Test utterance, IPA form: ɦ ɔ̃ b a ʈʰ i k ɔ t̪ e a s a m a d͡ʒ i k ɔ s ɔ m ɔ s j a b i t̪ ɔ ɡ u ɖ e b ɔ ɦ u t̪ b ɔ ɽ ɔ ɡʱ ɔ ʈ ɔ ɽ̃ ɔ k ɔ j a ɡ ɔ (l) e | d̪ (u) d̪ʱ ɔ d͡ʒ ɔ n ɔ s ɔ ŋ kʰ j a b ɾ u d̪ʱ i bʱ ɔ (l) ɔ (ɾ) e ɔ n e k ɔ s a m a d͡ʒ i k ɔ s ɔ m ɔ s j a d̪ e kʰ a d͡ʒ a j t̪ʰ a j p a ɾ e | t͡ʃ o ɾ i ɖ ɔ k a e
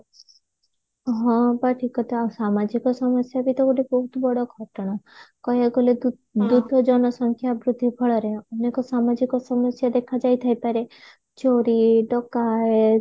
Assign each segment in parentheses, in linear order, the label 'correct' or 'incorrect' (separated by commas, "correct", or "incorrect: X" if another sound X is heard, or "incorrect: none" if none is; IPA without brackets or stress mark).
correct, correct, incorrect: ɭ, correct